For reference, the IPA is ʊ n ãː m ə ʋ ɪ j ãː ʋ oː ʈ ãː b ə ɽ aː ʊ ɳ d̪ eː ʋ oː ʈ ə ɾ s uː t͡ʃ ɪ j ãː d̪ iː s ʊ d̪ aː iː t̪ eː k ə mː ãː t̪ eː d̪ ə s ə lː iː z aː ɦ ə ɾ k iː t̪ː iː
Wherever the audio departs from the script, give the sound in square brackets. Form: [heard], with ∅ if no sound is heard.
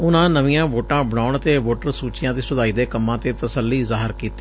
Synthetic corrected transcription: ʊ n ãː [n] ə ʋ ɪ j ãː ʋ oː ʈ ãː b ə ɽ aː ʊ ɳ [t̪] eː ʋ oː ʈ ə ɾ s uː t͡ʃ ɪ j ãː d̪ iː s ʊ d̪ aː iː [d̪] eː k ə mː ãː t̪ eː [t̪] ə s ə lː iː z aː ɦ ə ɾ k iː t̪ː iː

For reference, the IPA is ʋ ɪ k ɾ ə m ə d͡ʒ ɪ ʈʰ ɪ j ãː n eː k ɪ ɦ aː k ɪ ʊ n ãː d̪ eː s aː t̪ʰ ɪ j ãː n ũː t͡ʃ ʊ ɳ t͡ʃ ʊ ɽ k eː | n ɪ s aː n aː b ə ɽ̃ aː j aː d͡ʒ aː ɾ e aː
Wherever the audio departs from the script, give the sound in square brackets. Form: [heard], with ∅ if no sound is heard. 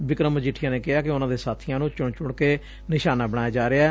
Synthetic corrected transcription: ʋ ɪ k ɾ ə m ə d͡ʒ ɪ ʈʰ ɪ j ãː n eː k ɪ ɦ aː k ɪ ʊ n ãː d̪ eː s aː t̪ʰ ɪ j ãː n ũː t͡ʃ ʊ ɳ t͡ʃ ʊ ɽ k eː | n ɪ [ʃ] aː n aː b ə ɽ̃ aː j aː d͡ʒ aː ɾ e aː

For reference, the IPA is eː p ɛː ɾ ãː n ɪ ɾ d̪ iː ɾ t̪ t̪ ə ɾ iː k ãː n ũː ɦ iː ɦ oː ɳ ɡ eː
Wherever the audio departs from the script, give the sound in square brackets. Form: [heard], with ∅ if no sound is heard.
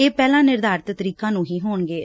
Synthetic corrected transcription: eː p ɛː [l] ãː n ɪ ɾ d̪ [aː] ɾ t̪ t̪ ə ɾ iː k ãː n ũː ɦ iː ɦ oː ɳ ɡ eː

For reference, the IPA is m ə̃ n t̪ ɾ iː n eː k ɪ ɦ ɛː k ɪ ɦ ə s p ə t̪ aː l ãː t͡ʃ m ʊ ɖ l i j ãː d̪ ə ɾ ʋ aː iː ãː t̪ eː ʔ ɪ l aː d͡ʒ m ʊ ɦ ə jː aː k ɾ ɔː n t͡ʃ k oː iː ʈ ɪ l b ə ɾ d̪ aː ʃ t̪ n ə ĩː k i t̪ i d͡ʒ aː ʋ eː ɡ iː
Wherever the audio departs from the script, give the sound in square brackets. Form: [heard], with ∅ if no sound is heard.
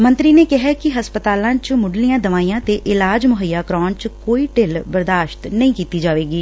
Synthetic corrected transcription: m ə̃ n t̪ ɾ iː n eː k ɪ ɦ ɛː k ɪ ɦ ə s p ə t̪ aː l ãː t͡ʃ m ʊ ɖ l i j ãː d̪ ə [∅] ʋ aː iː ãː t̪ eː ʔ ɪ l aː d͡ʒ m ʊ ɦ ə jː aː k ɾ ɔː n t͡ʃ k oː iː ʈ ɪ l b ə ɾ d̪ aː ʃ t̪ n ə ĩː k [iː] t̪ [iː] d͡ʒ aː ʋ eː ɡ iː

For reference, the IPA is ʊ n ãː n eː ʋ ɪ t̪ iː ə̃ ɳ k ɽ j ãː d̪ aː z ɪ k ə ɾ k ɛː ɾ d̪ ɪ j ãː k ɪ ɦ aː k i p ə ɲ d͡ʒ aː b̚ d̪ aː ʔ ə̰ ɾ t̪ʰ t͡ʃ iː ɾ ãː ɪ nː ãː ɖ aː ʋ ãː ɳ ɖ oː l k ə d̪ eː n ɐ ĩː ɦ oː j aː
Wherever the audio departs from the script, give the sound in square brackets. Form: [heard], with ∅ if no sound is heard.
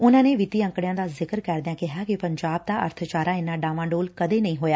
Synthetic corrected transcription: ʊ n ãː n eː ʋ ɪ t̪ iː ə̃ [ŋ] k ɽ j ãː d̪ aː z ɪ k ə ɾ k ɛː ɾ d̪ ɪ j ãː k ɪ ɦ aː k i p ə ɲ d͡ʒ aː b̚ d̪ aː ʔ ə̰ ɾ t̪ʰ t͡ʃ [aː] ɾ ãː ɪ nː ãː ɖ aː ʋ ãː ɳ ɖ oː l k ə d̪ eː n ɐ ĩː ɦ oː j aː

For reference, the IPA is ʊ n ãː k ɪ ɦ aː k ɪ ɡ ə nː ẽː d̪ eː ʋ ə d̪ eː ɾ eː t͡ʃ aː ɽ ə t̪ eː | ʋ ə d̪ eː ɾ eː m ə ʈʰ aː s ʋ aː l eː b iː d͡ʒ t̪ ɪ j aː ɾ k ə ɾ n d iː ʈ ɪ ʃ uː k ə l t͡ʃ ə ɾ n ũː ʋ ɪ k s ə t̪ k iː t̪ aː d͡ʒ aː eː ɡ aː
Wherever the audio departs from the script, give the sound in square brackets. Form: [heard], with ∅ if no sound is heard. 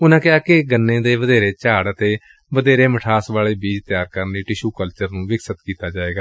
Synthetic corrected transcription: ʊ n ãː k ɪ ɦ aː k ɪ ɡ ə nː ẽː d̪ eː ʋ ə d̪ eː ɾ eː t͡ʃ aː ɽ ə t̪ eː | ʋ ə d̪ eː ɾ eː m ə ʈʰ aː s ʋ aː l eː b iː d͡ʒ t̪ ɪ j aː ɾ k ə ɾ n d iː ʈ ɪ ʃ uː k ə l t͡ʃ ə ɾ n ũː ʋ ɪ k s ə t̪ k iː t̪ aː d͡ʒ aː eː ɡ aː

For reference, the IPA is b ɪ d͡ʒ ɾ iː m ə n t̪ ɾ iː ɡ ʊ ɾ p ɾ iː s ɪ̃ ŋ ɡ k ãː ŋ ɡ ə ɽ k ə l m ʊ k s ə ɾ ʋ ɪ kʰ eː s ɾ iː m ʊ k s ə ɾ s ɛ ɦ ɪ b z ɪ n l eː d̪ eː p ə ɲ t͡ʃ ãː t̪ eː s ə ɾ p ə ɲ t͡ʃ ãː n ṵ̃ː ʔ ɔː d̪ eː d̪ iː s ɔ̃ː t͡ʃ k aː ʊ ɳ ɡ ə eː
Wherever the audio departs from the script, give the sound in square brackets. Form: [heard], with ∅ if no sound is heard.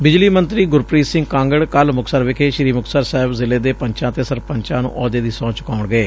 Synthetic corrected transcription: b ɪ d͡ʒ [l] iː m ə n t̪ ɾ iː ɡ ʊ ɾ p ɾ iː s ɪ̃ ŋ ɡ k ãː ŋ ɡ ə ɽ k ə l m ʊ k s ə ɾ ʋ ɪ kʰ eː [ʃ] ɾ iː m ʊ k s ə ɾ s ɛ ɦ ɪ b z ɪ [∅] l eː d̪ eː p ə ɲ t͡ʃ ãː t̪ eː s ə ɾ p ə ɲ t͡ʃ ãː n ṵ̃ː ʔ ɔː d̪ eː d̪ iː s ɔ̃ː t͡ʃ k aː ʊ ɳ ɡ ə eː

